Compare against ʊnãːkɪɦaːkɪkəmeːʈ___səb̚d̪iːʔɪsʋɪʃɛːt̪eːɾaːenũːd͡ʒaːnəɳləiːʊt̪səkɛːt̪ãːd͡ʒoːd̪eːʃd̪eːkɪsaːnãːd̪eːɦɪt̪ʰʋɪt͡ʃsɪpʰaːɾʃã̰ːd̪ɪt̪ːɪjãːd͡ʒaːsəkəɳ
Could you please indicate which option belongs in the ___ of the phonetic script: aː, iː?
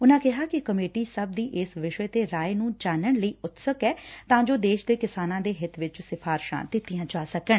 iː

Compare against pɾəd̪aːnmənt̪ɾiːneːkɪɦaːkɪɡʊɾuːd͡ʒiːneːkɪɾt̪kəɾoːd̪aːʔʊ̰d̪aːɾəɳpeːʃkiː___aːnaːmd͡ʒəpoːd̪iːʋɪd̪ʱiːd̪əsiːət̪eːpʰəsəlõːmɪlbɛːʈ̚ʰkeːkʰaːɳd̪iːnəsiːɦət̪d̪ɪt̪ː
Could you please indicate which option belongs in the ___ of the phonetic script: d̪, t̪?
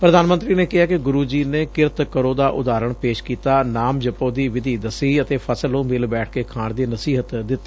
t̪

